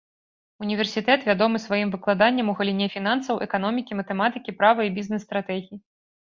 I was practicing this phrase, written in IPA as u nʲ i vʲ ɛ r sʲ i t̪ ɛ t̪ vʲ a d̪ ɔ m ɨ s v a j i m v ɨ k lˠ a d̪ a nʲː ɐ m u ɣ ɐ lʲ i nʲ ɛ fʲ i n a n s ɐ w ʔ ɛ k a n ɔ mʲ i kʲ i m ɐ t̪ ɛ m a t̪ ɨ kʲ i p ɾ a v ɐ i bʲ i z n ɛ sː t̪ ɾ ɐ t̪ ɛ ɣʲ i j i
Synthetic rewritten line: u nʲ i vʲ ɛ r sʲ i t̪ ɛ t̪ vʲ a d̪ ɔ m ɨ s v a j i m v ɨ k lˠ a d̪ a nʲː ɐ m u ɣ ɐ lʲ i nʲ ɛ fʲ i n a n s ɐ w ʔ ɛ k a n ɔ mʲ i kʲ i m ɐ t̪ ɛ m a t̪ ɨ kʲ i p ɾ a v ɐ i bʲ i z n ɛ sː t̪ ɾ a t̪ ɛ ɣʲ i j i